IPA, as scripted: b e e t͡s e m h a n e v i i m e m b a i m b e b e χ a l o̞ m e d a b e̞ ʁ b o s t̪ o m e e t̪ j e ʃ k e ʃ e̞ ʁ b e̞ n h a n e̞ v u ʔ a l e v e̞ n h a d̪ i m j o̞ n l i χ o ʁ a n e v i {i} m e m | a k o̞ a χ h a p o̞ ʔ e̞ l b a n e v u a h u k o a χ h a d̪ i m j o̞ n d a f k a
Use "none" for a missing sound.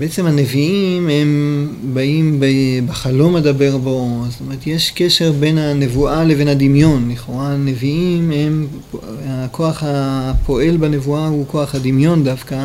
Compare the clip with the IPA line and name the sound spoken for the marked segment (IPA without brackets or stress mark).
i